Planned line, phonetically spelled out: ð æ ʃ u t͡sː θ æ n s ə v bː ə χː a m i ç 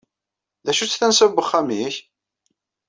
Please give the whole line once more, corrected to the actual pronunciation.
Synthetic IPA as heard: ð æ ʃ u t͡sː θ æ n s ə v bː ə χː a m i ç

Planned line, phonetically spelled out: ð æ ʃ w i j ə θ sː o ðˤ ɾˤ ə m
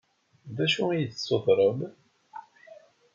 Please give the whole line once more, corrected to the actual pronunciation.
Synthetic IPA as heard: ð æ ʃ u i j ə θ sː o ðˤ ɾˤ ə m

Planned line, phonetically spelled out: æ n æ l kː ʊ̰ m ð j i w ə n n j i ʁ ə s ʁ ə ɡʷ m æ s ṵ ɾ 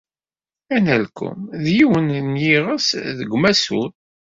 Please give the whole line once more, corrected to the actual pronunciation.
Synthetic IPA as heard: æ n æ l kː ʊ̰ m ð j i w ə n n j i ʁ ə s ð ə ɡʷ m æ s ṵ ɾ

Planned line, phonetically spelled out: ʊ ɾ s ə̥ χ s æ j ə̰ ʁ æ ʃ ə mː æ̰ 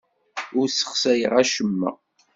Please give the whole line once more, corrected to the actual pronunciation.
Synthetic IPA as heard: ʊ ɾ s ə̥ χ s æ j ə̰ ʁ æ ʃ ə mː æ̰

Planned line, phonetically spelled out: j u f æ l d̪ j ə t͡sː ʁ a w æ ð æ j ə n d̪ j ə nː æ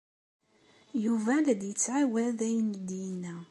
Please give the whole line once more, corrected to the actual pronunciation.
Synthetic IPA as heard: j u v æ l d̪ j ə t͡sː ʕ a w æ ð æ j ə n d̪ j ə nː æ

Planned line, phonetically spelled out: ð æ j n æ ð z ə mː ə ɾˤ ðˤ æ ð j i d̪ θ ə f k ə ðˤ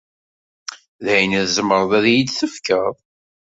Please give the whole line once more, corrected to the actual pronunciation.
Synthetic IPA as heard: ð æ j n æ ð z ə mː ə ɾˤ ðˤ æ ð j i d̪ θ ə f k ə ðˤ

